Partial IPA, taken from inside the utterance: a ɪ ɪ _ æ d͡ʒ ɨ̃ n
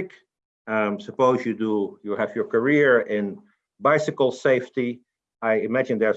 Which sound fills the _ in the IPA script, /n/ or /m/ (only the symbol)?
m